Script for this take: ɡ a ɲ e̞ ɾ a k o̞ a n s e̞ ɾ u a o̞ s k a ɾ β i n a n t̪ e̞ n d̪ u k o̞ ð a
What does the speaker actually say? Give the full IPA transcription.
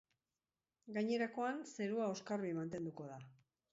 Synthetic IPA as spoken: ɡ a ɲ e̞ ɾ a k o̞ a n s e̞ ɾ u a o̞ s k a ɾ β i m a n t̪ e̞ n d̪ u k o̞ ð a